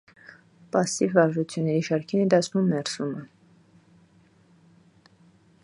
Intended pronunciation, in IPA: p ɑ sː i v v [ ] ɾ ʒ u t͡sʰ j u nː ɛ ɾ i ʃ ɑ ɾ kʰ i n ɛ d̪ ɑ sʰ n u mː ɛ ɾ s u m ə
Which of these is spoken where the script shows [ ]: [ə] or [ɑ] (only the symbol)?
ɑ